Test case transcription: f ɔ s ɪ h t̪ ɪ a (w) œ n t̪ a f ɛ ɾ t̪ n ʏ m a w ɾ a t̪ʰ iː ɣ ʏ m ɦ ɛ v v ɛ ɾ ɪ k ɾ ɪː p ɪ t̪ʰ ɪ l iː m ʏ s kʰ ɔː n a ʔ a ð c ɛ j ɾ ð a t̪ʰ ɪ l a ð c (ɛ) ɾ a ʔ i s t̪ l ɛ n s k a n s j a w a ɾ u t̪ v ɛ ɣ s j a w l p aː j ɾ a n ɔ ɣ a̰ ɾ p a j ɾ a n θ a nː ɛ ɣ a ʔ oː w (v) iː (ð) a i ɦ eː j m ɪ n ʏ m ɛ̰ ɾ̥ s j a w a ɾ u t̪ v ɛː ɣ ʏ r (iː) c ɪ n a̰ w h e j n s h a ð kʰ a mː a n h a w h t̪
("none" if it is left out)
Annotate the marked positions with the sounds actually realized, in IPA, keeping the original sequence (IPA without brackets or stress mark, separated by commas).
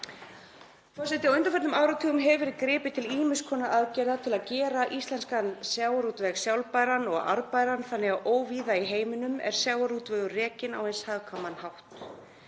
w, ɛː, v, ð, ɛː